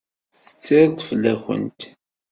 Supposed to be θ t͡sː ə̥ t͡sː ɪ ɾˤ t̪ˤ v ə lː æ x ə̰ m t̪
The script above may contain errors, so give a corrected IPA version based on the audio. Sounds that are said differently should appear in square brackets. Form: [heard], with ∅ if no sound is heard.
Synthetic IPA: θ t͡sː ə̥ t͡sː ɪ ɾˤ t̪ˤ [f] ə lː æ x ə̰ [n] t̪